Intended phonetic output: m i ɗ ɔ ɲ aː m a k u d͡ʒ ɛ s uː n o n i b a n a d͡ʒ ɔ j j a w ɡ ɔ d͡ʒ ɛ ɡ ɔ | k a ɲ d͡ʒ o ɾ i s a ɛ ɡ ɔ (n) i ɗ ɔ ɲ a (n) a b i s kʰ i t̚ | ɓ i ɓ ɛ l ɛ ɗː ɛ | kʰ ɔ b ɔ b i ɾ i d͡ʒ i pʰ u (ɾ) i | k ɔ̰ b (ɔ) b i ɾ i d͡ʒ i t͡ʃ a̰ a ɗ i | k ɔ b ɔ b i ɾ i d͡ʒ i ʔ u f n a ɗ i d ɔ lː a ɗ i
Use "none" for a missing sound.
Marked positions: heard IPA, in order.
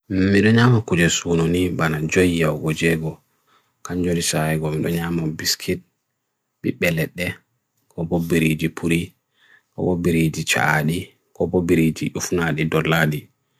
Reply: m, m, ɾ, ɔ

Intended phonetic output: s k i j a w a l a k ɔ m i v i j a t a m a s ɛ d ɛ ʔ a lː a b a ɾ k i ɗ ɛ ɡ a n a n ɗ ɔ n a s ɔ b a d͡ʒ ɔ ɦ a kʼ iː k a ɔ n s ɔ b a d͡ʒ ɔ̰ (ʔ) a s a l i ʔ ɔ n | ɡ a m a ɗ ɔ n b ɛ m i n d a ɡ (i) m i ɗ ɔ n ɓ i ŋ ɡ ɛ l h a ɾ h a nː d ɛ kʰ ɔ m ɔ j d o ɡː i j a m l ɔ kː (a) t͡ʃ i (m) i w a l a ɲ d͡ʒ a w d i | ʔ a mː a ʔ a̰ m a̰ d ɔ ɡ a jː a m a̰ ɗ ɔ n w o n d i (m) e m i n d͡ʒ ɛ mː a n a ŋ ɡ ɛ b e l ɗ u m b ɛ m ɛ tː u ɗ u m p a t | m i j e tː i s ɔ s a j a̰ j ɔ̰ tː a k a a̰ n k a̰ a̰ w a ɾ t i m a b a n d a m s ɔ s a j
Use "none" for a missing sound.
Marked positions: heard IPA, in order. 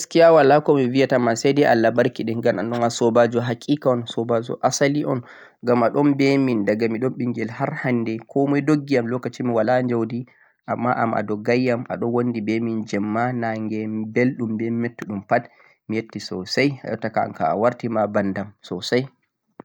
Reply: ʔ, a, a, m, b

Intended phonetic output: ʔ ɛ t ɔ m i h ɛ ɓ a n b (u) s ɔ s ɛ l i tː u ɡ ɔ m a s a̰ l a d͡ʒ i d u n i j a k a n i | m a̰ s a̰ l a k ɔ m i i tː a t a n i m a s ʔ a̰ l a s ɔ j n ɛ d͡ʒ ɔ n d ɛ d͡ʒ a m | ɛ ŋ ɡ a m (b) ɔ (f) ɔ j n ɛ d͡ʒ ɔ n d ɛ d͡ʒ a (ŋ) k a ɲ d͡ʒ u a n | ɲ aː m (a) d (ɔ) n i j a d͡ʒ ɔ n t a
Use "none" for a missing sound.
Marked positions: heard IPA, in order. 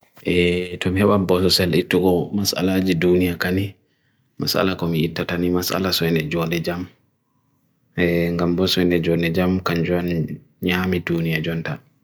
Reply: ɔ, b, s, m, i, u

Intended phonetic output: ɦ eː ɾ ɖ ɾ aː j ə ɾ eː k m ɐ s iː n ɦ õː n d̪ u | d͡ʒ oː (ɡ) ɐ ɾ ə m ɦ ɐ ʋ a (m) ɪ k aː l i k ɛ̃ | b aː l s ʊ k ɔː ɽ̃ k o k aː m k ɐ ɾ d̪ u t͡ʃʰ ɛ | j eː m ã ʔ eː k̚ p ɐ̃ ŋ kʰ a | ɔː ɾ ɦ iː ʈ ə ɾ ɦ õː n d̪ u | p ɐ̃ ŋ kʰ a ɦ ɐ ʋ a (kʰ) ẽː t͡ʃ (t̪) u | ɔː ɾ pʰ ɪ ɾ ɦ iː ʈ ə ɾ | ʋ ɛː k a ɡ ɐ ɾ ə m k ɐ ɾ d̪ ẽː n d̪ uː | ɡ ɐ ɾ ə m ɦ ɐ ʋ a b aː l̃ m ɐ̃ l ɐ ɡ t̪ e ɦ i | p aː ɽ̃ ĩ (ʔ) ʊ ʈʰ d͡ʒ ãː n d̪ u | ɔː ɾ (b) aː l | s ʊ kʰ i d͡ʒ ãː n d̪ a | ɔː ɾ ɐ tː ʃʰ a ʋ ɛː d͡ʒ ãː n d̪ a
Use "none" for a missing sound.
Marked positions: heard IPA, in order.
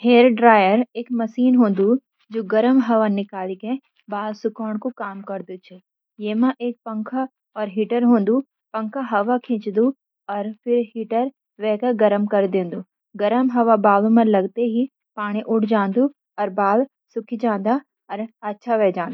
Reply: ɡ, n, kʰ, d̪, ʔ, b

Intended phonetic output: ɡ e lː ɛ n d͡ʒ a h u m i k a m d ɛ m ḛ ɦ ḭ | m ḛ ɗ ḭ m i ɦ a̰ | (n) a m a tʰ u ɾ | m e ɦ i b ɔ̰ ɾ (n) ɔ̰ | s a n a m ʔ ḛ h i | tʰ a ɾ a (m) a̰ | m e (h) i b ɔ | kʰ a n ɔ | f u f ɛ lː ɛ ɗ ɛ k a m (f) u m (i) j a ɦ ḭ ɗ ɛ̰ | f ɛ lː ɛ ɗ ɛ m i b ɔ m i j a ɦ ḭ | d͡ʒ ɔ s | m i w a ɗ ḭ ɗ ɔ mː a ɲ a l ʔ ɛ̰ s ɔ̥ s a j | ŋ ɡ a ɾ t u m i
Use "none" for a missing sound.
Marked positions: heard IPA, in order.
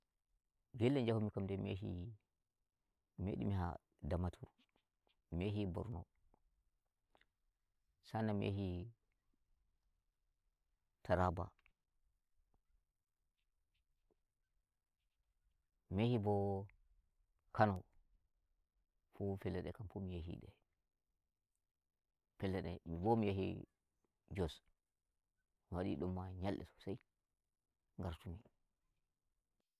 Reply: d, n, b, h, f, i

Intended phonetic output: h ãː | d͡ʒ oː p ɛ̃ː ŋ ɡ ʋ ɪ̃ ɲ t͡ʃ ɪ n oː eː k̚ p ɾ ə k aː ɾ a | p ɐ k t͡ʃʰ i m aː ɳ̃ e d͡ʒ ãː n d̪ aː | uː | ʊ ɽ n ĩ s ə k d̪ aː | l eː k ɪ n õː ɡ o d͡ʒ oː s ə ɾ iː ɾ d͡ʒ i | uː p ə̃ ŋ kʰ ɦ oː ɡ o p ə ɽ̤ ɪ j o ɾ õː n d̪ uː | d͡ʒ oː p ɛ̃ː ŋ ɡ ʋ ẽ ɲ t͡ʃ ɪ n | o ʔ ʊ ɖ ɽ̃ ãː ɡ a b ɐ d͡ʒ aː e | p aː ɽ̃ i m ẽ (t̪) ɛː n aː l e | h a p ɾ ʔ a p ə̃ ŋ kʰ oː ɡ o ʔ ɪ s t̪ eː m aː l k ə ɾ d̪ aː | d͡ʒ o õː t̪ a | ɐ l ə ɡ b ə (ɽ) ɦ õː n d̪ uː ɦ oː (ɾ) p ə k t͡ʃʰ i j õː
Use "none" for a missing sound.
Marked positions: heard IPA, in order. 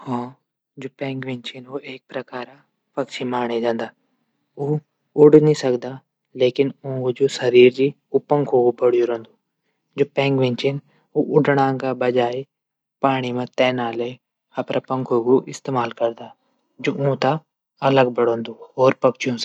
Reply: t̪, ɽ, ɾ

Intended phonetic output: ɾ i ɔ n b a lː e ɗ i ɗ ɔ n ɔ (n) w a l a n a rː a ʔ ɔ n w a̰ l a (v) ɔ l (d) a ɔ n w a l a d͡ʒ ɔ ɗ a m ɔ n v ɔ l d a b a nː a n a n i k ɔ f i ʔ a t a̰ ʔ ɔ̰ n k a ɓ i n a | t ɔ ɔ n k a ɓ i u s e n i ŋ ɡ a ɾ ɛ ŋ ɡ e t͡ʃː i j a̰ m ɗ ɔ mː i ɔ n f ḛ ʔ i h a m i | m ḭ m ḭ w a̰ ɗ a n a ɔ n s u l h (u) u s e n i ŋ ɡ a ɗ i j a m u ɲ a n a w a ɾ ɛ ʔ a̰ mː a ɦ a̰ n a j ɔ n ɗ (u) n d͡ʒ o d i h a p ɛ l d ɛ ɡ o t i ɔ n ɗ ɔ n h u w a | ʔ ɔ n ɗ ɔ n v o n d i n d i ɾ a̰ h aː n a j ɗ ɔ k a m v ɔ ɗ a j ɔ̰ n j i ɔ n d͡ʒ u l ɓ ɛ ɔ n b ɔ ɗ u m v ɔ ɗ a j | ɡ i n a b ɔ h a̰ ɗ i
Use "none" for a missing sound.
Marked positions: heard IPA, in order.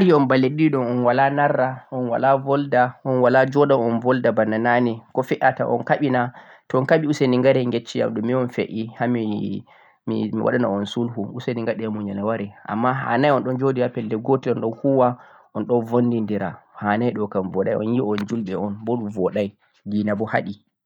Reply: n, v, d, u, ɔ

